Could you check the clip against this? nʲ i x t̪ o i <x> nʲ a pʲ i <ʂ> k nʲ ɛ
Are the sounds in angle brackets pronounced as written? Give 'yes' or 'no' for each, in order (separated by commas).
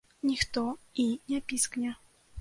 no, no